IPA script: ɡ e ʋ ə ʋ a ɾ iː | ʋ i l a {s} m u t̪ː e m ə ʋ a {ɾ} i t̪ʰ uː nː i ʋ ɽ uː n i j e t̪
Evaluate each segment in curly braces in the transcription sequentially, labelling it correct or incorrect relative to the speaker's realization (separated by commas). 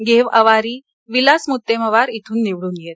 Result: correct, correct